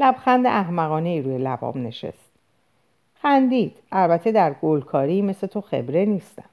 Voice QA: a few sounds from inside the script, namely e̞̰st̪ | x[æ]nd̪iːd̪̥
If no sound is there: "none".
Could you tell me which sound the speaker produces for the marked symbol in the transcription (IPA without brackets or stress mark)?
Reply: æ